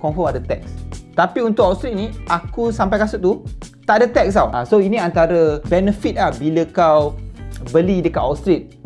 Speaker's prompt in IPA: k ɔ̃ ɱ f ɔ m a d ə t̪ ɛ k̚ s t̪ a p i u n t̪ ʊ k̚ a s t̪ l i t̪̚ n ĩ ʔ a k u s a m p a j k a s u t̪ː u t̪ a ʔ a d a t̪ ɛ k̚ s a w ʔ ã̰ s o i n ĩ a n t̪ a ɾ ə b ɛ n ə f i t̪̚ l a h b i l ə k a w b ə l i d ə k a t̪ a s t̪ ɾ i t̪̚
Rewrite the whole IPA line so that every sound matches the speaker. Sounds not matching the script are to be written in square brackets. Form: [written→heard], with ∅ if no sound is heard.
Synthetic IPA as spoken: k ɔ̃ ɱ f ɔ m a d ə t̪ ɛ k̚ s t̪ a p i u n t̪ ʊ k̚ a s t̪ [l→ɾ] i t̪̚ n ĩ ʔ a k u s a m p a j k a s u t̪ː u t̪ a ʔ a d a t̪ ɛ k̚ s a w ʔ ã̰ s o i n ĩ a n t̪ a ɾ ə b ɛ n ə f i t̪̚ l a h b i l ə k a w b ə l i d ə k a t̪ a s t̪ ɾ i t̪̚

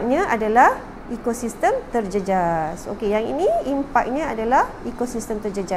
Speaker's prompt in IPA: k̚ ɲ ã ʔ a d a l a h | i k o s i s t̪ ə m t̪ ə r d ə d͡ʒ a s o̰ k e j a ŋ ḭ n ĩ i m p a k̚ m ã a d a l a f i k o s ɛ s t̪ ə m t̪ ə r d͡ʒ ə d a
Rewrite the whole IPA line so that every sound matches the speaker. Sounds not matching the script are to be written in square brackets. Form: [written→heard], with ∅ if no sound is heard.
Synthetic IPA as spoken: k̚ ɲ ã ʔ a d a l a h | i k o s i s t̪ ə m t̪ ə r [d→d͡ʒ] ə d͡ʒ a s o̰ k e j a ŋ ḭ n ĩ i m p a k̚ [m→ɲ] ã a d a l a [f→h] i k o s [ɛ→i] s t̪ ə m t̪ ə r d͡ʒ ə [d→d͡ʒ] a

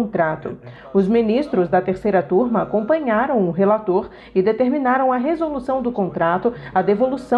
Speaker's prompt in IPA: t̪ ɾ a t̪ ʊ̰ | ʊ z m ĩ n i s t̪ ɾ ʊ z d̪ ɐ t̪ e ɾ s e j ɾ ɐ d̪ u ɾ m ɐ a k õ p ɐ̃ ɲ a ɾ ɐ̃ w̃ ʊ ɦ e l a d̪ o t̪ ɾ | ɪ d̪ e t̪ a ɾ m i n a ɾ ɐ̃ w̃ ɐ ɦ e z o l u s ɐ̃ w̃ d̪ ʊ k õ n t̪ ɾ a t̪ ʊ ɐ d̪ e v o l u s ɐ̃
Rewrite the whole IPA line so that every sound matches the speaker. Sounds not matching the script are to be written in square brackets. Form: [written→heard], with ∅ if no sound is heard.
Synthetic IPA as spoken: t̪ ɾ a t̪ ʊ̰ | ʊ z m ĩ n i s t̪ ɾ ʊ z d̪ ɐ t̪ e ɾ s e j ɾ ɐ [d̪→t̪] u ɾ m ɐ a k õ p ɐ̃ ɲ a ɾ ɐ̃ w̃ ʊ ɦ e l a [d̪→t̪] o [t̪→∅] ɾ | ɪ d̪ e t̪ [a→e] ɾ m i n a ɾ ɐ̃ w̃ ɐ ɦ e z o l u s ɐ̃ w̃ d̪ ʊ k õ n t̪ ɾ a t̪ ʊ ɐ d̪ e v o l u s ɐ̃

